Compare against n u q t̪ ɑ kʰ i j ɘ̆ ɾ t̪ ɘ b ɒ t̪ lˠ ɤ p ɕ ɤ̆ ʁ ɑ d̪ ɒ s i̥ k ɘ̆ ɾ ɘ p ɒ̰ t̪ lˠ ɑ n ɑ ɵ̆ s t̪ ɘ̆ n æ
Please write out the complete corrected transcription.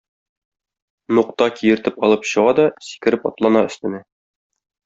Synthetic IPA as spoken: n u q t̪ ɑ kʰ i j ɘ̆ ɾ t̪ ɘ p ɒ lˠ ɤ p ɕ ɤ̆ ʁ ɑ d̪ ɒ s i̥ k ɘ̆ ɾ ɘ p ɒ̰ t̪ lˠ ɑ n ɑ ɵ̆ s t̪ ɘ̆ n æ